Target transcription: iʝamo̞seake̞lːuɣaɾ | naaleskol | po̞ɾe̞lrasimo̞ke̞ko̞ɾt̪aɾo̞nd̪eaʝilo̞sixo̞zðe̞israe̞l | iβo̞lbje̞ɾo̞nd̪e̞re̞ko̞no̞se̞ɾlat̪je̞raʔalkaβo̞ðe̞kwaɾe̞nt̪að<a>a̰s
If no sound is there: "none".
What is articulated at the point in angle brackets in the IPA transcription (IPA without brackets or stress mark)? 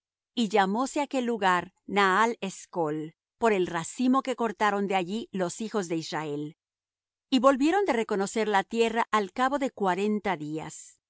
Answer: i